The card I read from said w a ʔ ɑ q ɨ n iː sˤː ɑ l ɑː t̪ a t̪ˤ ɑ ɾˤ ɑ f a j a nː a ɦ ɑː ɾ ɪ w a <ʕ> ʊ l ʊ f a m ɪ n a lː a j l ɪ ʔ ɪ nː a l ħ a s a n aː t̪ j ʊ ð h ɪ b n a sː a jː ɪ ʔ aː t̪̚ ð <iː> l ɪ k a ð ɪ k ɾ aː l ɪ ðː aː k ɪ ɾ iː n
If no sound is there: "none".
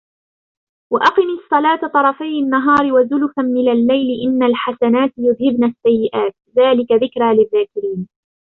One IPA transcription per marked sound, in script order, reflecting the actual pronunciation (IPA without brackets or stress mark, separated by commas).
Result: z, aː